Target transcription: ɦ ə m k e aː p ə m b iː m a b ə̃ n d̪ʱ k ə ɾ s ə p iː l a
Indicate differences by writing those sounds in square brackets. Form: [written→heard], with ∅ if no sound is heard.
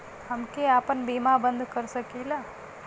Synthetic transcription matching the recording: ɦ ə m k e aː p ə [m→n] b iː m a b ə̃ n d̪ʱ k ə ɾ s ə [p→k] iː l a